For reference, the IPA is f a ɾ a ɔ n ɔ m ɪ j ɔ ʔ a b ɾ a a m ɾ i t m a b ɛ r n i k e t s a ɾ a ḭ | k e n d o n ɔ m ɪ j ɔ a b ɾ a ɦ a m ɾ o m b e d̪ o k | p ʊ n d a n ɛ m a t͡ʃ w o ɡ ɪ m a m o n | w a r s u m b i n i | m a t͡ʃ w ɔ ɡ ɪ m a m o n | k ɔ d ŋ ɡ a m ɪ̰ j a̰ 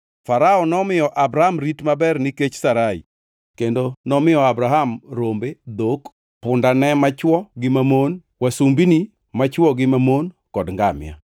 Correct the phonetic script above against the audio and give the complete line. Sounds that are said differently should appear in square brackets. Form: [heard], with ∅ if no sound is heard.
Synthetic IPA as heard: f a ɾ a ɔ n ɔ m ɪ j ɔ ʔ a b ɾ a a m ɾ i t m a b ɛ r n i k e [t͡ʃ] s a ɾ a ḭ | k e n d o n ɔ m ɪ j ɔ a b ɾ a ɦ a m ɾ o m b e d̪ o k | p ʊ n d a n ɛ m a t͡ʃ w [ɔ] ɡ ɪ m a m o n | w a [∅] s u m b i n i | m a t͡ʃ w ɔ ɡ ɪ m a m o n | k ɔ d ŋ ɡ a m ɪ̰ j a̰

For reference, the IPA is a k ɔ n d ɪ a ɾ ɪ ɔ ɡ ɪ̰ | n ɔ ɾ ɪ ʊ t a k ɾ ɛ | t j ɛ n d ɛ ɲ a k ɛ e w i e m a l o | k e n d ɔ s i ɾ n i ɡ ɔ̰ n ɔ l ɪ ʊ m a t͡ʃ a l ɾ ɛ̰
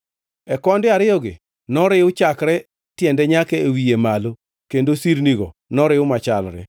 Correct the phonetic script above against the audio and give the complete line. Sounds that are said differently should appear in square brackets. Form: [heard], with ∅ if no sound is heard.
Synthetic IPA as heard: [ɛ] k ɔ n d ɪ a ɾ ɪ ɔ ɡ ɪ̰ | n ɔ ɾ ɪ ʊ [t͡ʃ] a k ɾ ɛ | t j ɛ n d ɛ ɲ a k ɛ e w i e m a l o | k e n d [o] s i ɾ n i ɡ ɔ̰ n ɔ [ɾ] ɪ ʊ m a t͡ʃ a l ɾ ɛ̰

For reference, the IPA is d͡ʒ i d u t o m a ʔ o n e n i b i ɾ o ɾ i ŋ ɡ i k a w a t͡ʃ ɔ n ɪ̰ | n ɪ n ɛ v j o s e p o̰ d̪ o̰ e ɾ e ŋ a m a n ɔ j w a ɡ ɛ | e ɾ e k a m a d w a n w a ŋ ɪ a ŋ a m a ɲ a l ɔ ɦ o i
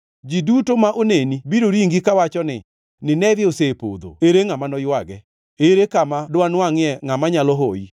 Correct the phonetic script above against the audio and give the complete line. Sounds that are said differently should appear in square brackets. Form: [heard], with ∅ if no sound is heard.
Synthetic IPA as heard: d͡ʒ i d u t o m a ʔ o n e n i b i ɾ o ɾ i ŋ ɡ i k a w a t͡ʃ ɔ n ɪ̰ | n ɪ n ɛ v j o s e p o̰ d̪ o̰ e ɾ e ŋ a m a n ɔ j w a ɡ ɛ | e ɾ e k a m a d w a n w a ŋ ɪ [ɛ] ŋ a m a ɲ a l ɔ ɦ o i

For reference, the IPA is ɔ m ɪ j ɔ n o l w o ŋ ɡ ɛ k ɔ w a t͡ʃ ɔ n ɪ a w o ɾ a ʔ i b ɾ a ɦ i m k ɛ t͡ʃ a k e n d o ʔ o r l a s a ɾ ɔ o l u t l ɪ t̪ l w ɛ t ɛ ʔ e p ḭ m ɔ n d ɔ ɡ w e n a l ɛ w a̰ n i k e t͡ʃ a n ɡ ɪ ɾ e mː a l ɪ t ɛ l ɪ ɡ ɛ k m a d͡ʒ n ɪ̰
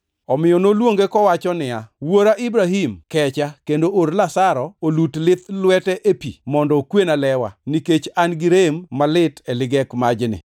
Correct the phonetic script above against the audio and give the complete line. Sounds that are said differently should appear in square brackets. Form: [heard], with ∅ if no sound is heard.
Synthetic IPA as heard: ɔ m ɪ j ɔ n o l w o ŋ ɡ [e] k ɔ w a t͡ʃ ɔ n ɪ a w o ɾ a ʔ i b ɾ a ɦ i m k ɛ t͡ʃ a k e n d o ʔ o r l a s a ɾ ɔ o l u t l ɪ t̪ l w ɛ t ɛ ʔ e p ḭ m ɔ n d ɔ [k] w e n a l ɛ w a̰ n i k e t͡ʃ a n ɡ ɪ ɾ e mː a l ɪ t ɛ l ɪ ɡ ɛ k m a d͡ʒ n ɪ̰

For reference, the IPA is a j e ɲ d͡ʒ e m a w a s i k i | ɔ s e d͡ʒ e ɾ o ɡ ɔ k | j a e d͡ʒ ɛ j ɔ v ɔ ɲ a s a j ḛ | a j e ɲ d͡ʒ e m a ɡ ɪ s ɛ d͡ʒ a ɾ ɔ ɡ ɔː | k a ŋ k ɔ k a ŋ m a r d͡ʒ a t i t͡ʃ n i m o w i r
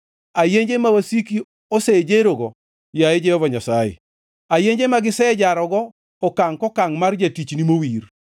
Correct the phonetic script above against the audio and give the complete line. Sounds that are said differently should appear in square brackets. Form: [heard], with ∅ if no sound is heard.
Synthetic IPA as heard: a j e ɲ d͡ʒ e m a w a s i k i | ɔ s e d͡ʒ e ɾ o ɡ ɔ [∅] | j a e d͡ʒ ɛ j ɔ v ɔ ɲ a s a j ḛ | a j e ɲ d͡ʒ e m a ɡ ɪ s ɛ d͡ʒ a ɾ ɔ ɡ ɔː | k a ŋ k ɔ k a ŋ m a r d͡ʒ a t i t͡ʃ n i m o w i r

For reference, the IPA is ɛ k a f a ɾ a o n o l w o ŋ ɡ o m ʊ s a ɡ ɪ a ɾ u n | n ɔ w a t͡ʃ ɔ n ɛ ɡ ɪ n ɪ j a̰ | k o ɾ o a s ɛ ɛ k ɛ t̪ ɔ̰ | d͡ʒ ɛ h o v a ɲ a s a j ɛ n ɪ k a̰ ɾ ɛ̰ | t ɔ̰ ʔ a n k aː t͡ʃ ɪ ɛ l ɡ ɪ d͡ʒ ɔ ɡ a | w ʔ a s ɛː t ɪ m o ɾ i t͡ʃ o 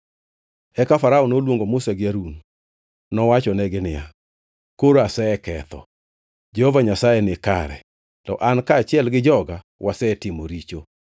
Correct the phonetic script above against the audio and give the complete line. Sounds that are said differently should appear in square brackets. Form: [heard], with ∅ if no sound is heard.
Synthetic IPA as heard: ɛ k a f a ɾ a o n o l w o ŋ ɡ o m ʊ s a ɡ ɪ a ɾ u n | n ɔ w a t͡ʃ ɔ n ɛ ɡ ɪ n ɪ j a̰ | k o ɾ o a s ɛ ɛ k ɛ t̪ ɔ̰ | d͡ʒ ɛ h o v a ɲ a s a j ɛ n ɪ k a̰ ɾ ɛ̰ | t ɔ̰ ʔ a n k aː t͡ʃ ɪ ɛ l ɡ ɪ d͡ʒ ɔ ɡ a | w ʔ a s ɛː t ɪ m o ɾ i t͡ʃ o

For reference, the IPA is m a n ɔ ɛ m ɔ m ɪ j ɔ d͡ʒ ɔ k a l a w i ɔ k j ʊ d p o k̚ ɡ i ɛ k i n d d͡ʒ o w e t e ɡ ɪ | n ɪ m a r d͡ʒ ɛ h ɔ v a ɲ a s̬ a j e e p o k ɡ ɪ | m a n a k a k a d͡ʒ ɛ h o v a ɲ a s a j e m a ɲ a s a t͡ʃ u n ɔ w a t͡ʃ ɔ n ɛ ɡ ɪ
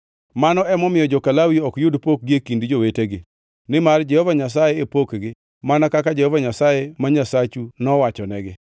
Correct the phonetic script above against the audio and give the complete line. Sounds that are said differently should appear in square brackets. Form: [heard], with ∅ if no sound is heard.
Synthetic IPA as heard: m a n ɔ ɛ m ɔ m ɪ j ɔ d͡ʒ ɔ k a l a w i ɔ k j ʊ d p o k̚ ɡ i [e] k i n d d͡ʒ o w e t e ɡ ɪ | n ɪ m a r d͡ʒ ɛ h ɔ v a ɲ a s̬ a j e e p o k ɡ ɪ | m a n a k a k a d͡ʒ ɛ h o v a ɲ a s a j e m a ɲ a s a t͡ʃ u n ɔ w a t͡ʃ ɔ n ɛ ɡ ɪ

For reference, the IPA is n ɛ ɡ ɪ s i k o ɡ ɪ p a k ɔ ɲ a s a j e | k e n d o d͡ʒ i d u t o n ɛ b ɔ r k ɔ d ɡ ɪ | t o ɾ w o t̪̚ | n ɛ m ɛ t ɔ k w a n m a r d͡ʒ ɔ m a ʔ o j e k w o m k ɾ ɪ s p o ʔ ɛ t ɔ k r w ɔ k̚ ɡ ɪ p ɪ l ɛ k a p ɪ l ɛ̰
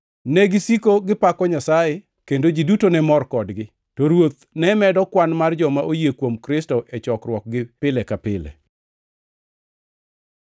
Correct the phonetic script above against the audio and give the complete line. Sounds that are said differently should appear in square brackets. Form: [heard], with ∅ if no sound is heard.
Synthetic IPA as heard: n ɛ ɡ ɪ s i k o ɡ ɪ p a k ɔ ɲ a s a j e | k e n d o d͡ʒ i d u t o n ɛ [m] ɔ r k ɔ d ɡ ɪ | t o ɾ w o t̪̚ | n ɛ m ɛ [d] ɔ k w a n m a r d͡ʒ ɔ m a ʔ o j e k w o m k ɾ ɪ s [t] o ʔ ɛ [t͡ʃ] ɔ k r w ɔ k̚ ɡ ɪ p ɪ l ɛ k a p ɪ l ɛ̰

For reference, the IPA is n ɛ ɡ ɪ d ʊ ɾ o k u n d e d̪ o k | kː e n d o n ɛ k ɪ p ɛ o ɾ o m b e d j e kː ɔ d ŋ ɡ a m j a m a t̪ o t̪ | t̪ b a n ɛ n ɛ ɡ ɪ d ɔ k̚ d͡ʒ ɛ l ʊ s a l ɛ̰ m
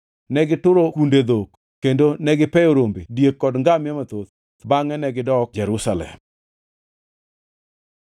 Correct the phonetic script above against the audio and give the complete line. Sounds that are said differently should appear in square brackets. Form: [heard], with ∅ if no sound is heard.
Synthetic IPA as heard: n ɛ ɡ ɪ [t] ʊ ɾ o k u n d e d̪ o k | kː e n d o n ɛ [ɡ] ɪ p ɛ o ɾ o m b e d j e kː ɔ d ŋ ɡ a m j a m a t̪ o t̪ | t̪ b a [ŋ] ɛ n ɛ ɡ ɪ d ɔ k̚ d͡ʒ ɛ [ɾ] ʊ s a l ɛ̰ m

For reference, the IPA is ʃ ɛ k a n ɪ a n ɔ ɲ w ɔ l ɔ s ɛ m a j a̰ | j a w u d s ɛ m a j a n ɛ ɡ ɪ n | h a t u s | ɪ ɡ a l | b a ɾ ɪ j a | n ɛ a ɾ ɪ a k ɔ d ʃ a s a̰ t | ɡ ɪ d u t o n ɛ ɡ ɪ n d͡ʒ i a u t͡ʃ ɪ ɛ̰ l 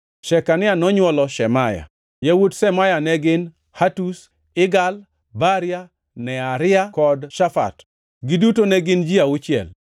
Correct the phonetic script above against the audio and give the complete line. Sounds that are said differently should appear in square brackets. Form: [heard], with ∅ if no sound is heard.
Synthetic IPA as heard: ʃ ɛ k a n ɪ a n ɔ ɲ w ɔ l ɔ [ʃ] ɛ m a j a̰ | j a w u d s ɛ m a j a n ɛ ɡ ɪ n | h a t u s | ɪ ɡ a l | b a ɾ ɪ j a | n ɛ a ɾ ɪ a k ɔ d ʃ a [f] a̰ t | ɡ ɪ d u t o n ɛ ɡ ɪ n d͡ʒ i a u t͡ʃ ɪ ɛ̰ l

